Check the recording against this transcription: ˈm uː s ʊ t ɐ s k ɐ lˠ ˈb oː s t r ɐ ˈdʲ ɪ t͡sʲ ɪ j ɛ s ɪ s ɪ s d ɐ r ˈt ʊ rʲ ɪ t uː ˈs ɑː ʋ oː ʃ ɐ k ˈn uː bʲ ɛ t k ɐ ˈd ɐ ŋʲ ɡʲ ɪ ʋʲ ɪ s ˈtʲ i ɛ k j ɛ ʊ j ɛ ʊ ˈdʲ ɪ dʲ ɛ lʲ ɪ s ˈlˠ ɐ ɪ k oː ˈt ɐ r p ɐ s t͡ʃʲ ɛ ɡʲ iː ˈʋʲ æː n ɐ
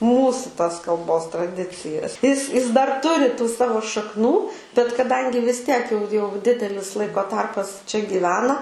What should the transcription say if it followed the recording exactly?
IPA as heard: ˈm uː s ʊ t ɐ s k ɐ lˠ ˈb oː s t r ɐ ˈdʲ ɪ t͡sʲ ɪ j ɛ s ɪ s ɪ s d ɐ r ˈt ʊ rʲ ɪ t uː ˈs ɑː ʋ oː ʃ ɐ k ˈn uː bʲ ɛ t k ɐ ˈd ɐ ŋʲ ɡʲ ɪ ʋʲ ɪ s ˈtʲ i ɛ k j ɛ ʊ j ɛ ʊ ˈdʲ ɪ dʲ ɛ lʲ ɪ s ˈlˠ ɐ ɪ k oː ˈt ɐ r p ɐ s t͡ʃʲ ɛ ɡʲ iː ˈʋʲ æː n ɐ